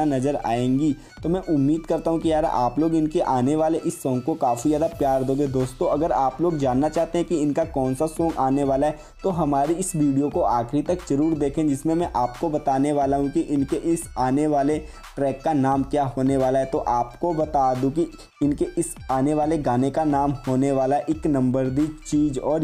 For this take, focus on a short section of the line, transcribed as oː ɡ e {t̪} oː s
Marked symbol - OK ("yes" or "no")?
no